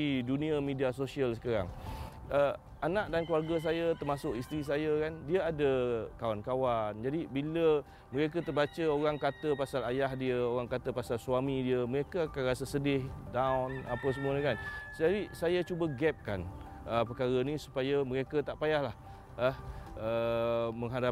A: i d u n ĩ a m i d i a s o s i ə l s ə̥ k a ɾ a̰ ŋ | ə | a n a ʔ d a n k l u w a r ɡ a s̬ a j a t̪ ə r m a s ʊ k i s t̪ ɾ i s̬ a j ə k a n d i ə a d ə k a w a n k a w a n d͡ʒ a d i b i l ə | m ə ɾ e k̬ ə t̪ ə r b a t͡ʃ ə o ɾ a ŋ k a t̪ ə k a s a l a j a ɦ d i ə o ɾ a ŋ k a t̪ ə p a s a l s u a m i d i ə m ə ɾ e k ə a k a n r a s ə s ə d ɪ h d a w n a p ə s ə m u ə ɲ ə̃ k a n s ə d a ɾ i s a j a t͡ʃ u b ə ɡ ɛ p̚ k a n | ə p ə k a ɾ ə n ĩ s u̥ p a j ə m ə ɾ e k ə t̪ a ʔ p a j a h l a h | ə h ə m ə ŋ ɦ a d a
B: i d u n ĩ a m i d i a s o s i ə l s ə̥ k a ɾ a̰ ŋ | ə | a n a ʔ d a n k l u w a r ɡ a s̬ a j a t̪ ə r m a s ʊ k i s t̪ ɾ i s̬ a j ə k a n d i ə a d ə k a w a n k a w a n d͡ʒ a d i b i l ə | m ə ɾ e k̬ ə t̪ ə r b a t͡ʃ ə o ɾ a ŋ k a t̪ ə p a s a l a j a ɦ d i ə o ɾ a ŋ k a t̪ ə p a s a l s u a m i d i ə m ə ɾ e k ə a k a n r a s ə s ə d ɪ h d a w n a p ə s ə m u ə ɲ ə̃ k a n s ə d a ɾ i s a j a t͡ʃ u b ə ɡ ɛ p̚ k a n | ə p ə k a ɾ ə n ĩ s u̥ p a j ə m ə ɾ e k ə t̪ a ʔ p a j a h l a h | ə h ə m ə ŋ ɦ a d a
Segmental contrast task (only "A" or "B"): B